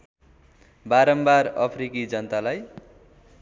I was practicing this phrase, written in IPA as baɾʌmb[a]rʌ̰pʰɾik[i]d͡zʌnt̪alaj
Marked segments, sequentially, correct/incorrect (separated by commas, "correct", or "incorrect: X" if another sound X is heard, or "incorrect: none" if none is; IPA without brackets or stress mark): correct, correct